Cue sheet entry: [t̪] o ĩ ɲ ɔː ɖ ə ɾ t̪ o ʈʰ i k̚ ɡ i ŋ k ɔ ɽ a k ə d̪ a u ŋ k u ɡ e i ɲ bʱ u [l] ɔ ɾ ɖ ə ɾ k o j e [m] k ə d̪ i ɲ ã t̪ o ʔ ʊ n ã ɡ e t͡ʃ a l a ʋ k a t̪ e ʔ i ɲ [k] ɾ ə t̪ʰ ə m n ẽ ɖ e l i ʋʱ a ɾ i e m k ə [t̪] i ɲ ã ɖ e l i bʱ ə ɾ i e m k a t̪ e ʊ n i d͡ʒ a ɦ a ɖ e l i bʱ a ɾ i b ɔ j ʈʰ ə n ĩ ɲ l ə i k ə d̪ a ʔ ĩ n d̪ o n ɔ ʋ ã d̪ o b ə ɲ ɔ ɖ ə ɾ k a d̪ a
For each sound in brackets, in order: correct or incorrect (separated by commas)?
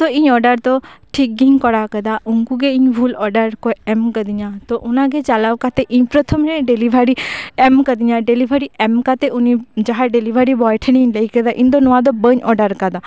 correct, correct, correct, incorrect, incorrect